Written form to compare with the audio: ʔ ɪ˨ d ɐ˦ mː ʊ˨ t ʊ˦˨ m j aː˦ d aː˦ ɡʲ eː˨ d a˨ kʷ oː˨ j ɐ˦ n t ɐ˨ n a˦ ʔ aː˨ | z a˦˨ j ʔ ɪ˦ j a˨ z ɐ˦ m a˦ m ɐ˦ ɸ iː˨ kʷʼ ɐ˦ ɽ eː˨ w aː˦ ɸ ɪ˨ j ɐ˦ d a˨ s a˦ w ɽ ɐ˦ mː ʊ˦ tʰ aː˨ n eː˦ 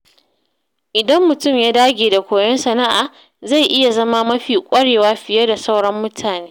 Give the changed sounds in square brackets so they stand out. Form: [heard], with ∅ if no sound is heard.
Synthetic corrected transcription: ʔ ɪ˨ d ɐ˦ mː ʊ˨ t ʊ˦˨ m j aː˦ d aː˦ ɡʲ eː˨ d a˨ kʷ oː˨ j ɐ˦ n [s] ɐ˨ n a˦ ʔ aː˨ | z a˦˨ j ʔ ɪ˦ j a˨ z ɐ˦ m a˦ m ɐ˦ ɸ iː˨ kʷʼ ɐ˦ ɽ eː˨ w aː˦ ɸ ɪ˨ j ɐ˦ d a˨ s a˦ w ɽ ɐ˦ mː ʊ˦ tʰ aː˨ n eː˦

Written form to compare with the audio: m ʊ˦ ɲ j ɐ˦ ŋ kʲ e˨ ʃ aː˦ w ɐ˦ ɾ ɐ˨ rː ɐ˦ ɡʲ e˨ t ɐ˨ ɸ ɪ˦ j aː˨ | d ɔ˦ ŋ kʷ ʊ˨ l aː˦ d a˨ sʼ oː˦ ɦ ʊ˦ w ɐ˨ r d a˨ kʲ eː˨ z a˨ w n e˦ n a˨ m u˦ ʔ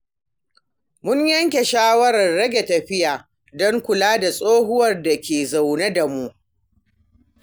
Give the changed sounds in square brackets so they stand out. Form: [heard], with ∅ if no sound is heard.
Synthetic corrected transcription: m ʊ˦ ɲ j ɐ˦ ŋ kʲ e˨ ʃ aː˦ w ɐ˦ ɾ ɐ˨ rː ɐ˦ ɡʲ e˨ t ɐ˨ ɸ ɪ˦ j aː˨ | d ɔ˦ ŋ kʷ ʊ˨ l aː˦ d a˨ sʼ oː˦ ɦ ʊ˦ w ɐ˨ r d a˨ kʲ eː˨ z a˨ w n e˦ [d] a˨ m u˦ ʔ

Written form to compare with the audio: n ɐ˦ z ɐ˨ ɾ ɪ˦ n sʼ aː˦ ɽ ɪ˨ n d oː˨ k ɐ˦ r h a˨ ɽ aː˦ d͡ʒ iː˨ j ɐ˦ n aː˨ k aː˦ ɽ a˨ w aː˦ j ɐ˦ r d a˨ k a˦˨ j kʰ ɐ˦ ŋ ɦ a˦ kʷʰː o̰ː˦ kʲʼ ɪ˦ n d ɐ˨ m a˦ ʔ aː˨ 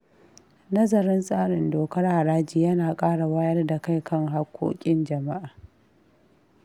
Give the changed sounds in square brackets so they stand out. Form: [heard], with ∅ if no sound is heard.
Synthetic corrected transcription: n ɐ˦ z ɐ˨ ɾ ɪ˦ n sʼ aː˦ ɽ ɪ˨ n d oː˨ k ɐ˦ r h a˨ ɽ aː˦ d͡ʒ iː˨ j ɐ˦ n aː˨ [kʼ] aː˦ ɽ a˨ w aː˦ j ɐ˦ r d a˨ k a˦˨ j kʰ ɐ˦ ŋ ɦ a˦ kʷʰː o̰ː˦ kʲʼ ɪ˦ n [d͡ʒ] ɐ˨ m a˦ ʔ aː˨

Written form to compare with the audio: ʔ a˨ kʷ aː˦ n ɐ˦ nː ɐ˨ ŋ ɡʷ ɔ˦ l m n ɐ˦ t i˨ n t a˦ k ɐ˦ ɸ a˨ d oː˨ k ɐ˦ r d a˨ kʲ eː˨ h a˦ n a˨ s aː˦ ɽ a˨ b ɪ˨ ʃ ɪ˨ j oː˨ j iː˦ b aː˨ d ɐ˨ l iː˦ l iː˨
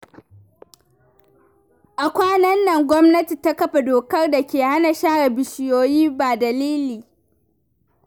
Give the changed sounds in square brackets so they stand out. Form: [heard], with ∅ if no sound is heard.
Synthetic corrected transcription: ʔ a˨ kʷ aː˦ n ɐ˦ nː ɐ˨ ŋ ɡʷ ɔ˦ [∅] m n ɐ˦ t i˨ [∅] t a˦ k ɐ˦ ɸ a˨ d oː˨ k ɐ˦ r d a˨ kʲ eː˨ h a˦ n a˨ [ʃ] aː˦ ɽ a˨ b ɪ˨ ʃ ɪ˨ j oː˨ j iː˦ b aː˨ d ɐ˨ l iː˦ l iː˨

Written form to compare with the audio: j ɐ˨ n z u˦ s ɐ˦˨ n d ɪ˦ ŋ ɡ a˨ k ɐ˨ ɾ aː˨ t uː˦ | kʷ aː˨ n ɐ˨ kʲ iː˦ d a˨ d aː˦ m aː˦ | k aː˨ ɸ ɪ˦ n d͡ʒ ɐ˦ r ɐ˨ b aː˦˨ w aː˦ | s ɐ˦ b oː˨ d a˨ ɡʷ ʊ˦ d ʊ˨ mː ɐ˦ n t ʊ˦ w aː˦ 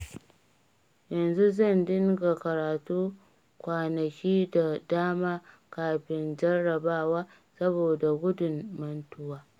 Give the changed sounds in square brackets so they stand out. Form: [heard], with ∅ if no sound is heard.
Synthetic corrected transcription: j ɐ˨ n z u˦ [z] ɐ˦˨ n d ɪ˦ ŋ ɡ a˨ k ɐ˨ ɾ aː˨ t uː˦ | kʷ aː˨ n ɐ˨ kʲ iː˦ d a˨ d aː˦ m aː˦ | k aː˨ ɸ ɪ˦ n d͡ʒ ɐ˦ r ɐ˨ b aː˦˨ w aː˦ | s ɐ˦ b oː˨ d a˨ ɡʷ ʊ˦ d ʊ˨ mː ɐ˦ n t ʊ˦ w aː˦

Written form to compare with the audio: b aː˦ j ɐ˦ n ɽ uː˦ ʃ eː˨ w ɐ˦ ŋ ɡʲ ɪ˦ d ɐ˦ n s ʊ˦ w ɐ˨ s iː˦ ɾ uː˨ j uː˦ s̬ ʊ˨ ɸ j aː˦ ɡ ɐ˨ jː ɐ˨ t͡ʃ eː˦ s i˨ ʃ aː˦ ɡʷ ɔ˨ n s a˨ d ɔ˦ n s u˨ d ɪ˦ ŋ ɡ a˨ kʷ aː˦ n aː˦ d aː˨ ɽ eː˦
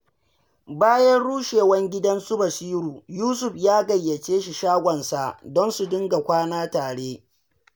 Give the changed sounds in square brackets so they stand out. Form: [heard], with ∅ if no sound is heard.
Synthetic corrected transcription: b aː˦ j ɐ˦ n ɽ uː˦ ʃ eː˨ w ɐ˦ ŋ ɡʲ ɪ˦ d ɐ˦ n s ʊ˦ [b] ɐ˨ s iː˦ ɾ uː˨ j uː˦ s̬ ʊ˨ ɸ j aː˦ ɡ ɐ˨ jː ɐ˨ t͡ʃ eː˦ [ʃ] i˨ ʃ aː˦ ɡʷ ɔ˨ n s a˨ d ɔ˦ n s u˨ d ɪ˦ ŋ ɡ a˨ kʷ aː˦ n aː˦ [t] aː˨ ɽ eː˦

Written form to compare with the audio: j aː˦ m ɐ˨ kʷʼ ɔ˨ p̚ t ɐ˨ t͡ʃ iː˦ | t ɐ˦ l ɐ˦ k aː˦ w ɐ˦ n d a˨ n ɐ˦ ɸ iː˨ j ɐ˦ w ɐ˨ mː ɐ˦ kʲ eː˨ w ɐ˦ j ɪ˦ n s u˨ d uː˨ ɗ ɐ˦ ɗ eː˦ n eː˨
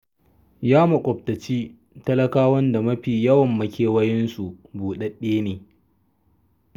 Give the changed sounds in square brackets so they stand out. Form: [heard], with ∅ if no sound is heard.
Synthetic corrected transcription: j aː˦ m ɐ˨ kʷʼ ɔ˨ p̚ t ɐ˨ t͡ʃ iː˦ | t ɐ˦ l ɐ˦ k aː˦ w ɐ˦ n d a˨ [m] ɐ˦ ɸ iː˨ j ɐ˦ w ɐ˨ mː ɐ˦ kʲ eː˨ w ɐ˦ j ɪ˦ n s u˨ [b] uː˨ ɗ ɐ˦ ɗ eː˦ n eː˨

